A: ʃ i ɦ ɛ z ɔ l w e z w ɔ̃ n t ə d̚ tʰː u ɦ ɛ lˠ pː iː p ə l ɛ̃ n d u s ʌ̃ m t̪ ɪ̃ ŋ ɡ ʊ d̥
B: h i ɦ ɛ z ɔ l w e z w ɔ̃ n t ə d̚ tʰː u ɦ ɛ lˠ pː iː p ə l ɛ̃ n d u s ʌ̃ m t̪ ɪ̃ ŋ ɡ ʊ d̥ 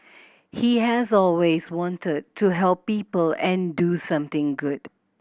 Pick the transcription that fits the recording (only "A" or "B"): B